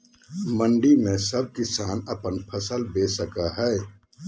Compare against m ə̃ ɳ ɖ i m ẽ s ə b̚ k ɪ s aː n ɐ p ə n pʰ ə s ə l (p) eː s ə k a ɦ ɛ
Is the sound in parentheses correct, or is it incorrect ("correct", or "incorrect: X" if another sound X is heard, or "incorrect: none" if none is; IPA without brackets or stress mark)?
incorrect: b